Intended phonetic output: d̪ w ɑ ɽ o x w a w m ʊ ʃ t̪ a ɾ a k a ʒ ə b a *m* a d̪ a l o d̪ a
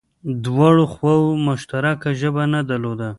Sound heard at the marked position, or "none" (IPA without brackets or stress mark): n